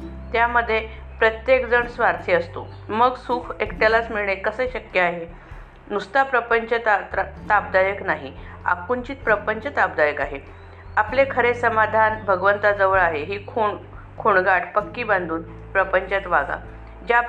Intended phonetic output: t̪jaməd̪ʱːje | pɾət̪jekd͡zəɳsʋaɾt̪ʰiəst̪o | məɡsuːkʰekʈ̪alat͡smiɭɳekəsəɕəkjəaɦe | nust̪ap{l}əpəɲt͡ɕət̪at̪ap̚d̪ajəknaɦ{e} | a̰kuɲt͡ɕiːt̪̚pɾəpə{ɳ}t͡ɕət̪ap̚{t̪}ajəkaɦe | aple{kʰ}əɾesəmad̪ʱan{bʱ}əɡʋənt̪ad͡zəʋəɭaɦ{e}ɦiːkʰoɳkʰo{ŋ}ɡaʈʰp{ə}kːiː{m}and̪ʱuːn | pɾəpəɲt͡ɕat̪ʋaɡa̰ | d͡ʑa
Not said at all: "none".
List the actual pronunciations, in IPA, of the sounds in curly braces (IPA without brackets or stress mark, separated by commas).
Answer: ɾ, i, ɲ, d̪, kʰ, bʱ, e, ɳ, ə, b